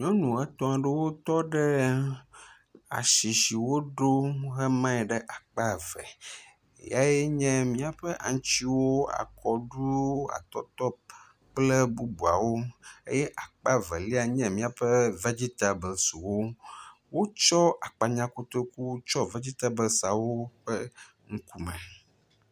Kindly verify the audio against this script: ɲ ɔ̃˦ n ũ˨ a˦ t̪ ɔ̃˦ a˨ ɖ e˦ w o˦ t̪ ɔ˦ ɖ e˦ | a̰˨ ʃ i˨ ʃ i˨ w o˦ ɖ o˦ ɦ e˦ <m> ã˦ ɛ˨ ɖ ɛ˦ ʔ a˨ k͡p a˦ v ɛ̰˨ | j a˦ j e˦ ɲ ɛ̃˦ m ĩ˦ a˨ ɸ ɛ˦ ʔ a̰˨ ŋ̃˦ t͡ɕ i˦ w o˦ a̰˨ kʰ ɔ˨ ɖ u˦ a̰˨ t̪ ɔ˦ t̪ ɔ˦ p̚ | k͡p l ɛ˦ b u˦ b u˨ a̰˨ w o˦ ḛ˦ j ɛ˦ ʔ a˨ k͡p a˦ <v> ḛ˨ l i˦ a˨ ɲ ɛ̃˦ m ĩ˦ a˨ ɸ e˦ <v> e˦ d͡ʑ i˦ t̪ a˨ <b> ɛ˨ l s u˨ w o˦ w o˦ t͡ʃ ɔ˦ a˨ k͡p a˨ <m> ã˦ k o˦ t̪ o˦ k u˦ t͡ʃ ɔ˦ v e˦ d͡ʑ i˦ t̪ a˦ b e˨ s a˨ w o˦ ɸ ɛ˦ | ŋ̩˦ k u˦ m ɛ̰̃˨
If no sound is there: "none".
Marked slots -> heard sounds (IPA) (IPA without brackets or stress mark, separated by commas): m, v, v, b, ɲ